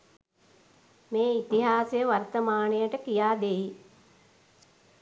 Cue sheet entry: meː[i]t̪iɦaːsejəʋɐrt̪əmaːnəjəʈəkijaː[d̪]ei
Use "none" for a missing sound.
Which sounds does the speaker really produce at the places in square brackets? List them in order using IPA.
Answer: i, d̪

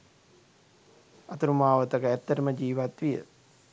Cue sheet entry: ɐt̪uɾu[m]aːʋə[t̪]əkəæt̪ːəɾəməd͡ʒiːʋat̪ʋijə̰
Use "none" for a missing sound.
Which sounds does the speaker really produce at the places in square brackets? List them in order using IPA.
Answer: m, t̪

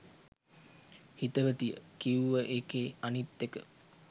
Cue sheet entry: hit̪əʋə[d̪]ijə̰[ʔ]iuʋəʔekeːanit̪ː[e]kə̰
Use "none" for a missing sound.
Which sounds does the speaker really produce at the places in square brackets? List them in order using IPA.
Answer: t̪, k, e

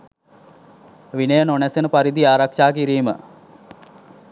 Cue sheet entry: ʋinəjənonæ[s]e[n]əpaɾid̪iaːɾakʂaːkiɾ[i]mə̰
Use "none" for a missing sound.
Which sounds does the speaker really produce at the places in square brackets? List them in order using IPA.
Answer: s, n, iː

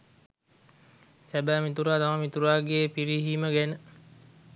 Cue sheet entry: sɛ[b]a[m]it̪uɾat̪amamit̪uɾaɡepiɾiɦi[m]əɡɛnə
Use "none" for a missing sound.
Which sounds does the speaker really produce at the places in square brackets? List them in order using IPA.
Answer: b, m, m

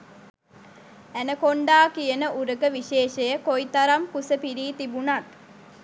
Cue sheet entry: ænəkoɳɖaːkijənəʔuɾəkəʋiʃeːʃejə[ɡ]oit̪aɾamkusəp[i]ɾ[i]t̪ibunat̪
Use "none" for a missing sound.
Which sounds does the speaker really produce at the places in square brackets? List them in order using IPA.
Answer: k, i, iː

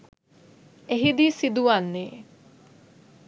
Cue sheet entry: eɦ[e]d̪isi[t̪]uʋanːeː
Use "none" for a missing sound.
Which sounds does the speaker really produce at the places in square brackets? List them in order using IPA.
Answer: i, d̪

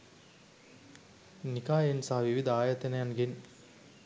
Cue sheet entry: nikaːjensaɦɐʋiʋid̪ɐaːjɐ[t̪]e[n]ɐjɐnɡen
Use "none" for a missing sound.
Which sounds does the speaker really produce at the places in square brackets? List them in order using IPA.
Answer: t̪, n

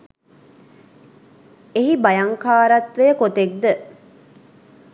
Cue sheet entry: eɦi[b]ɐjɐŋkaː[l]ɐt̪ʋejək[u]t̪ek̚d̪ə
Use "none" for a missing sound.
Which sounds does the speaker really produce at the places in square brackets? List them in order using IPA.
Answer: b, ɾ, o

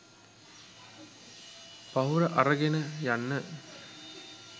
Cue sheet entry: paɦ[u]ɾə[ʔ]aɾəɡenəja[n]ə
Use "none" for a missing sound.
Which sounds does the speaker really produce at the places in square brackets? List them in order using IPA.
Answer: u, ʔ, nː

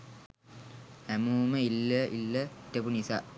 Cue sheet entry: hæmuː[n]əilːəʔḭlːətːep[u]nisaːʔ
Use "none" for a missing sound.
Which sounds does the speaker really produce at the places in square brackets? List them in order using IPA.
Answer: m, u

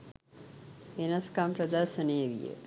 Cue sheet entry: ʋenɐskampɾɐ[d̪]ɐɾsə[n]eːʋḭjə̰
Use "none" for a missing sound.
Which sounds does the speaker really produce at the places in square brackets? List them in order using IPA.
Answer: d̪, n

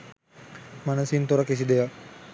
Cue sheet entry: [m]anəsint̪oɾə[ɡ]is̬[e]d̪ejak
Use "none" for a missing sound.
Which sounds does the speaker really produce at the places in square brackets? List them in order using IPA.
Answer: m, k, i

